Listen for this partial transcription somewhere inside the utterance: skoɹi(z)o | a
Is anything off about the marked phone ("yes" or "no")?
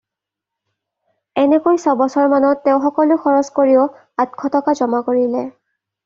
yes